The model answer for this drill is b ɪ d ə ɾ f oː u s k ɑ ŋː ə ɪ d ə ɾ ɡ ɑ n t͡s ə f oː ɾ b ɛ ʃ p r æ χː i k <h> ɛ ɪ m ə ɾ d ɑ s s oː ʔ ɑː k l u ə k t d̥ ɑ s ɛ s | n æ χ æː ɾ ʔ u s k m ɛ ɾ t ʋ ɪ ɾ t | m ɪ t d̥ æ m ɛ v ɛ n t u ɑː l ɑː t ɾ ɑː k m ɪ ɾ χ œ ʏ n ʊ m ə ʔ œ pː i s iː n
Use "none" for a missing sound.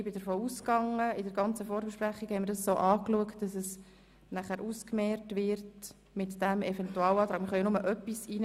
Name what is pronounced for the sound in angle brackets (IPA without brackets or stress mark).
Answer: h